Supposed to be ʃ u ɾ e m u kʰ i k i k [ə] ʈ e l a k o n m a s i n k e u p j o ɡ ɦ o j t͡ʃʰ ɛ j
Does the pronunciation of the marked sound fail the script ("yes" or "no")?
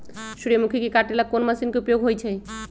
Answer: yes